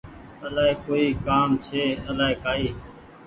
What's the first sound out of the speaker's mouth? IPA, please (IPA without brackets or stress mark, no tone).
ə